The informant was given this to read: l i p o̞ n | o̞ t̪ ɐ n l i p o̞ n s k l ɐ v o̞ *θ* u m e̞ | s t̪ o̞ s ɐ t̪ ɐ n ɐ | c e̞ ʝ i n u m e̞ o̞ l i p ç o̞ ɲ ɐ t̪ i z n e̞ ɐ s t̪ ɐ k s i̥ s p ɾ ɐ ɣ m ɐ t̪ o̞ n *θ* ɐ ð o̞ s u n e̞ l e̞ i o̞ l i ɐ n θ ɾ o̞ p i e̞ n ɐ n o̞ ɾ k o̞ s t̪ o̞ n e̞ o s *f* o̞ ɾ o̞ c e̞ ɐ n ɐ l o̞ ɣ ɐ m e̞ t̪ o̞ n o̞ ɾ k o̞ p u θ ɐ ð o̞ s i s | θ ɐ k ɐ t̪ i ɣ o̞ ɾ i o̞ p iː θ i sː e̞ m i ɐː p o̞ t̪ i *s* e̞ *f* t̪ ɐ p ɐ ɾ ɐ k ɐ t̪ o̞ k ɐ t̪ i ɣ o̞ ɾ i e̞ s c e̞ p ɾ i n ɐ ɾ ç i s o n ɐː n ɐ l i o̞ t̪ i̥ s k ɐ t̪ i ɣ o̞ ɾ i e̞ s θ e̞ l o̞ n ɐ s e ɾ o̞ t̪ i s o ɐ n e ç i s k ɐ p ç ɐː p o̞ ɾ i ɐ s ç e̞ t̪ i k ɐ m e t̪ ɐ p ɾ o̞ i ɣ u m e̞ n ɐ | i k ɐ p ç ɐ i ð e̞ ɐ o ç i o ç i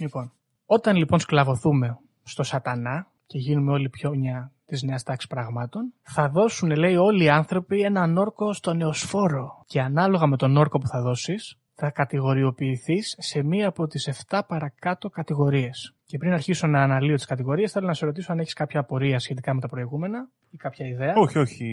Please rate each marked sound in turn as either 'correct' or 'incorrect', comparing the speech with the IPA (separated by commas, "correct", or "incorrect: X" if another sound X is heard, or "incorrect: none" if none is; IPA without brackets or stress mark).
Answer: correct, correct, correct, correct, correct